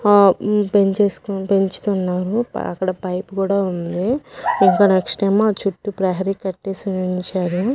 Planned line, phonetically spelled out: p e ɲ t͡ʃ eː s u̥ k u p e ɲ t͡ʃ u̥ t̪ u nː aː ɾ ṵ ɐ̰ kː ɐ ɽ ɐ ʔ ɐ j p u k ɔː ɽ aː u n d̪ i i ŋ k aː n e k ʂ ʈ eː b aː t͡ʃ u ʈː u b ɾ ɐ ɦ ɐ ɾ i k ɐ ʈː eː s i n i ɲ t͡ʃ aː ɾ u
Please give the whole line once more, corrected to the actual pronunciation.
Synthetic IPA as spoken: p e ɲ t͡ʃ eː s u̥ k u p e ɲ t͡ʃ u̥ t̪ u nː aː ɾ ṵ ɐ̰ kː ɐ ɽ ɐ p ɐ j p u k uː ɽ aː u n d̪ i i ŋ k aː n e k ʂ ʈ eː m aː t͡ʃ u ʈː u p ɾ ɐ ɦ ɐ ɾ i k ɐ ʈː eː s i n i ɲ t͡ʃ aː ɾ u